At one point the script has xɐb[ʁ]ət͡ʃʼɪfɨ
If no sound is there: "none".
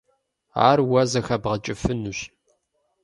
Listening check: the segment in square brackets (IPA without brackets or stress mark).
ʁ